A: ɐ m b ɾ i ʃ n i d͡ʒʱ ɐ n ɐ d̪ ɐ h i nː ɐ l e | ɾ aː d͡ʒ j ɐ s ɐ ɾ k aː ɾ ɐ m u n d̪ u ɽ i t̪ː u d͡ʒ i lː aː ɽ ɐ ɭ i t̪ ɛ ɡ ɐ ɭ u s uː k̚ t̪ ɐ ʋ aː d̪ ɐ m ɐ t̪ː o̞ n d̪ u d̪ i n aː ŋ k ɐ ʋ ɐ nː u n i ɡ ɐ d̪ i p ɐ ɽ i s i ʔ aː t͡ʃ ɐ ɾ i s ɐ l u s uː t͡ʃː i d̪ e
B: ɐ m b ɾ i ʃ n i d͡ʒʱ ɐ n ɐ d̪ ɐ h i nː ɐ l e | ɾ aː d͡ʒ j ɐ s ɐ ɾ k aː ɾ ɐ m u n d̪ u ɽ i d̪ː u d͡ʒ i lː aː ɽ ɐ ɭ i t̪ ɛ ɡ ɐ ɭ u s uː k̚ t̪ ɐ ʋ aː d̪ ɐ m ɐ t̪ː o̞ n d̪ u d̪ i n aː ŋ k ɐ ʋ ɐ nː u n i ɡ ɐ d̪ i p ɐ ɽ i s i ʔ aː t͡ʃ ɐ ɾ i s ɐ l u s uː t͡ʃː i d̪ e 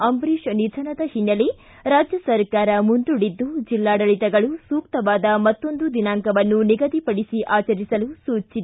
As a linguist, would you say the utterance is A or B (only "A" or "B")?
B